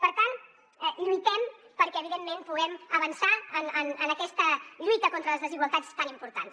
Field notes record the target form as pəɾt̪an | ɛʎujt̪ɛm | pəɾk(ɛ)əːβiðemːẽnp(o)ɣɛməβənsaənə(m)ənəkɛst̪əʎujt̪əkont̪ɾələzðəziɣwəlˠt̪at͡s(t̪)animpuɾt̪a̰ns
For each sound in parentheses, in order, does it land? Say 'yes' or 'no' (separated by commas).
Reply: yes, no, no, yes